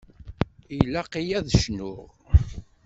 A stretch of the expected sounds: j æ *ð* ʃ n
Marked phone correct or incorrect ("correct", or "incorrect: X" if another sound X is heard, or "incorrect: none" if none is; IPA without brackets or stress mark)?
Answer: correct